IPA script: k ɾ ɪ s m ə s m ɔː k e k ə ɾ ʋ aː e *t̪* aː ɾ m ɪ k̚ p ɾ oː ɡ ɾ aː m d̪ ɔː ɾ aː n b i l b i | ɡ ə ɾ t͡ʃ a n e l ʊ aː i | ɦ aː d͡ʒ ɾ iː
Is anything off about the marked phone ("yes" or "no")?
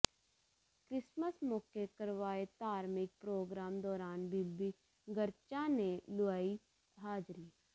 no